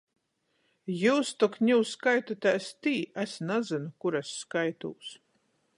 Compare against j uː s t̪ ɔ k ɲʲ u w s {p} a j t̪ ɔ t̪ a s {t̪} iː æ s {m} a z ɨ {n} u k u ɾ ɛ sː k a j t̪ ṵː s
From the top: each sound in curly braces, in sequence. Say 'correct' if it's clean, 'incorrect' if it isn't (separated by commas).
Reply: incorrect, correct, incorrect, correct